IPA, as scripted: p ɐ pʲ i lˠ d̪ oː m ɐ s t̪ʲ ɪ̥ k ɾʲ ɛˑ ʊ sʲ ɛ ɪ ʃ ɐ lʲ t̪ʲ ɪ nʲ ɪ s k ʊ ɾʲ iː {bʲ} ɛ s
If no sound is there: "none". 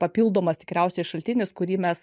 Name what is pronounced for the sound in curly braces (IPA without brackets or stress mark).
mʲ